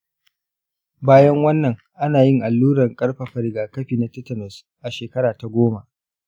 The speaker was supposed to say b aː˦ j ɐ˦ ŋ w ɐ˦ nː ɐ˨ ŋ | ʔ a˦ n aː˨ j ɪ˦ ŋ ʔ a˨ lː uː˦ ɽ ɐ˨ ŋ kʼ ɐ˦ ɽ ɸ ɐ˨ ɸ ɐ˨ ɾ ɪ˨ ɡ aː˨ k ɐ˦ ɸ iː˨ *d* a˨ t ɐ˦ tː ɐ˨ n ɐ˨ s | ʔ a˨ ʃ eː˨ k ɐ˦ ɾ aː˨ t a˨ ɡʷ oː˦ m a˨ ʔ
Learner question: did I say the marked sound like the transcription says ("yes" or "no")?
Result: no